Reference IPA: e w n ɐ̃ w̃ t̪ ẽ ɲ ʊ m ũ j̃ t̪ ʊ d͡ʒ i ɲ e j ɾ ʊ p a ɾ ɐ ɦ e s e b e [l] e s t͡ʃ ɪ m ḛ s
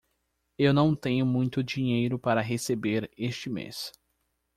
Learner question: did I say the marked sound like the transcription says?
no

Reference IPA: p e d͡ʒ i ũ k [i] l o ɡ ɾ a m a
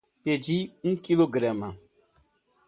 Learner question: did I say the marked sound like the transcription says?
yes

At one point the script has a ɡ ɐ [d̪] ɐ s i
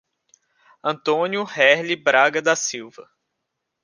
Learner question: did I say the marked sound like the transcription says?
yes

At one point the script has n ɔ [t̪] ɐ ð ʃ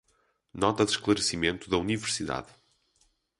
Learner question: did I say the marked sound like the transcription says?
yes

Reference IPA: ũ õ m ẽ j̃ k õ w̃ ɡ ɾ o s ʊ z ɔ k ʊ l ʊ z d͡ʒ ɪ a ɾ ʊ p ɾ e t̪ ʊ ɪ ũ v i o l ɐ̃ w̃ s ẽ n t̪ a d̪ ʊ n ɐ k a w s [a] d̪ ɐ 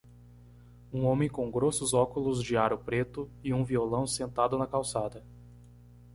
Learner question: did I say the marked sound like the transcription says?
yes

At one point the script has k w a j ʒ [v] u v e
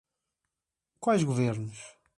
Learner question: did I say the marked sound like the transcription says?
no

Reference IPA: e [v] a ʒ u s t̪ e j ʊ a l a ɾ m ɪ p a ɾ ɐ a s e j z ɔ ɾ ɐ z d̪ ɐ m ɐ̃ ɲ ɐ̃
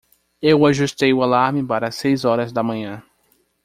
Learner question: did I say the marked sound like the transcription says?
no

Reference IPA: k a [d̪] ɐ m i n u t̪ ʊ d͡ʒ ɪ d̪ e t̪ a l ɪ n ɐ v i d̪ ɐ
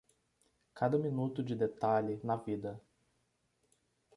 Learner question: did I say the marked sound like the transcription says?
yes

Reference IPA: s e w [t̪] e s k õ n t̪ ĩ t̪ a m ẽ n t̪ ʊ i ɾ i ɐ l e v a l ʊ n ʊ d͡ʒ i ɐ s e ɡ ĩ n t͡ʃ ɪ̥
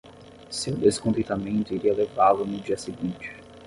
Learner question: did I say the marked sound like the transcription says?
no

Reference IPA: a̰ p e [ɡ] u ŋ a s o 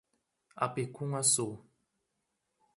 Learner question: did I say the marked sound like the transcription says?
no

